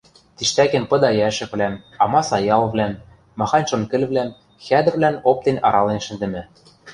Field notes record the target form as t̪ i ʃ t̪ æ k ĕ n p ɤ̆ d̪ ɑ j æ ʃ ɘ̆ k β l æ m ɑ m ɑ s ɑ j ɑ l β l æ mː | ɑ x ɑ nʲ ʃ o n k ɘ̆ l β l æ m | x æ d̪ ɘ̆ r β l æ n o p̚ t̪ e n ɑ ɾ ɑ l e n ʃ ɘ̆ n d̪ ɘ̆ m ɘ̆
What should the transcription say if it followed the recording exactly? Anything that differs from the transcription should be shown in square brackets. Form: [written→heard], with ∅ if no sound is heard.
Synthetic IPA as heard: t̪ i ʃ t̪ æ k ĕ n p ɤ̆ d̪ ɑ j æ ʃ ɘ̆ k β l æ m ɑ m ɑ s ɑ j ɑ l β l æ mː | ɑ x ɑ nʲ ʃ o n k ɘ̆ l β l æ m | x æ d̪ ɘ̆ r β l æ n o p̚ t̪ e n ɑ ɾ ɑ l e n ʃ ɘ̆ n d̪ ɘ̆ m ɘ̆